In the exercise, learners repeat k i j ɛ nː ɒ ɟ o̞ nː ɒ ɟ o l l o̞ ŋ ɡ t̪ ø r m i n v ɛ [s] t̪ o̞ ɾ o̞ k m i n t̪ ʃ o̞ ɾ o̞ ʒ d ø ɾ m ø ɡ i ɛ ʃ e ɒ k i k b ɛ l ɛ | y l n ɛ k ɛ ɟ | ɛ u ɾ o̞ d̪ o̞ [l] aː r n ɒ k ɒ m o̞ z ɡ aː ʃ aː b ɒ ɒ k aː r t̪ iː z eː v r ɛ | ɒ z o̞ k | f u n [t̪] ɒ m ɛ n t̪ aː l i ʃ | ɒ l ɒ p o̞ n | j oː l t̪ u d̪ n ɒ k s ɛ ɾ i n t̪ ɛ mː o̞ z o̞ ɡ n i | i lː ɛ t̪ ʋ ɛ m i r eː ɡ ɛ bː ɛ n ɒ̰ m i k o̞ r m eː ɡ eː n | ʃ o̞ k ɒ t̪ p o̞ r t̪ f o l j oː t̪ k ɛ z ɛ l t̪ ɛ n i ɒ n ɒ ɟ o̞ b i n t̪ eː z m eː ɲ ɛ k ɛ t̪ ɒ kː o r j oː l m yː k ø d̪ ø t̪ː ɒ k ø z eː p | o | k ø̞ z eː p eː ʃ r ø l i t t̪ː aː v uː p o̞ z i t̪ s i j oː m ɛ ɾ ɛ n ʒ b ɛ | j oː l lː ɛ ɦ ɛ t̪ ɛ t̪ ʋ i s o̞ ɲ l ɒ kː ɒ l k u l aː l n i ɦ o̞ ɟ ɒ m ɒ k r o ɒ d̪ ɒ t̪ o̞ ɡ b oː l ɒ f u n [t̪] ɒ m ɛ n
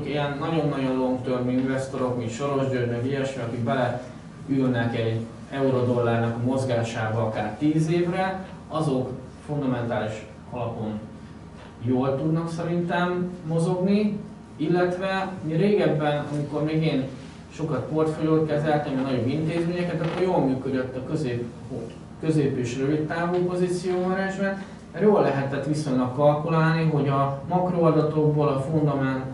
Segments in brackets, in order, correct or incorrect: correct, incorrect, incorrect, incorrect

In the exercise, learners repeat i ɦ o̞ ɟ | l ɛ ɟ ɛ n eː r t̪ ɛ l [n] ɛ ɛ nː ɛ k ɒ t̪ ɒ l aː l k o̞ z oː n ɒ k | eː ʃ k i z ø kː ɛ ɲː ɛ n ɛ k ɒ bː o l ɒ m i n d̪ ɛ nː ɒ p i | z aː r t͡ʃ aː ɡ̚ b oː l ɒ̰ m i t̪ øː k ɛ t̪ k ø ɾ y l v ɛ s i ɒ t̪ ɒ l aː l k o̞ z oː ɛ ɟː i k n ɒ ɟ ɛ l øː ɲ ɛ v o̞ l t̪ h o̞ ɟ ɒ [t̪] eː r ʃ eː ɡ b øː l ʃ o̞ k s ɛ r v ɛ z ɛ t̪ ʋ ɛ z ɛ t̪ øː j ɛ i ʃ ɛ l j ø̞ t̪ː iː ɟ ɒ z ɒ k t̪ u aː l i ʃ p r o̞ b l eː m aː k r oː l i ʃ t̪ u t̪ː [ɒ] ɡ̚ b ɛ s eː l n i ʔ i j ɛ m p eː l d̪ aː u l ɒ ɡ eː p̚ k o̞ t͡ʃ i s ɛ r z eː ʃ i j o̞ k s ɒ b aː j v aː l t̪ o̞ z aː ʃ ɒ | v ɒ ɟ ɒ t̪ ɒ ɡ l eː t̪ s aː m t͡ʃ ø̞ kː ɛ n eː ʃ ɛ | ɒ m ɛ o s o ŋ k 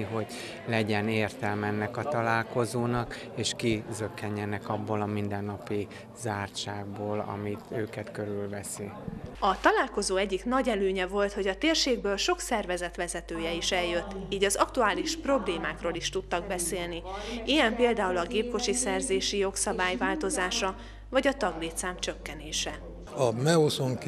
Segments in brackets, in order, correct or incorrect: incorrect, correct, correct

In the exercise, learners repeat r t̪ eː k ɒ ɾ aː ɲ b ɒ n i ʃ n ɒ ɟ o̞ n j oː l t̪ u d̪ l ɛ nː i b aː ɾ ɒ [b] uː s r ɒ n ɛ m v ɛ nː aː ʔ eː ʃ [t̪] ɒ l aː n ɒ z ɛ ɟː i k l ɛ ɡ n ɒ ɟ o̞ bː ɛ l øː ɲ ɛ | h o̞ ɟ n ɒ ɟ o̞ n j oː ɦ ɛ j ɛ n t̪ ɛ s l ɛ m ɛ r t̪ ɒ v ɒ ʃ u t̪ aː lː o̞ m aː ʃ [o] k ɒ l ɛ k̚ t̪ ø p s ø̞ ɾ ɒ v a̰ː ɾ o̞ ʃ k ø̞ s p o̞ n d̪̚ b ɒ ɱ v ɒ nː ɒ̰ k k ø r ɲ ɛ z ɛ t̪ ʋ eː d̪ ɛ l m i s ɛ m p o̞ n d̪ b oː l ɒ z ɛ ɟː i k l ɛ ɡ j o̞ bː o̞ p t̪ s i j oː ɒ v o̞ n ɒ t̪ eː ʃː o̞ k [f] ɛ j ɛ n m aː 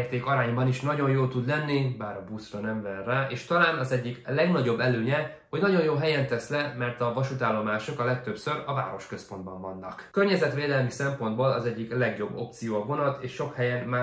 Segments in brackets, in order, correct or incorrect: correct, correct, correct, incorrect

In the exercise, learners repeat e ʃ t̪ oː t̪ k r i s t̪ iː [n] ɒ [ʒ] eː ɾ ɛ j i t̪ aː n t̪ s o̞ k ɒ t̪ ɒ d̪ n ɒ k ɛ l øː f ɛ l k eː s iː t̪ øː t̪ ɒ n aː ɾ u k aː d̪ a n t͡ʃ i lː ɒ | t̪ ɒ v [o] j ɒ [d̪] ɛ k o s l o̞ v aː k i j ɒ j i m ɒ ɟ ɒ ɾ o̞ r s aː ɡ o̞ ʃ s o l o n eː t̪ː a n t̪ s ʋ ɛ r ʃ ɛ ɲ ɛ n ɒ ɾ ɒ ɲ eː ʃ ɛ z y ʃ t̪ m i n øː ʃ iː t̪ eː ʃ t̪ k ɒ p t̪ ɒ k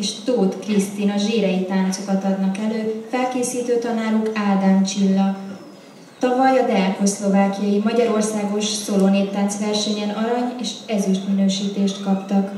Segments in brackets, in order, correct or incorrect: correct, correct, incorrect, correct

